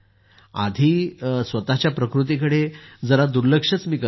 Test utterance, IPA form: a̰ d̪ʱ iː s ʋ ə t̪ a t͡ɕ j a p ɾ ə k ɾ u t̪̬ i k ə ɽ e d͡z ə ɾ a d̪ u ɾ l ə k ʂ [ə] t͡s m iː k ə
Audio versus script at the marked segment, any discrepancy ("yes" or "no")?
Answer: no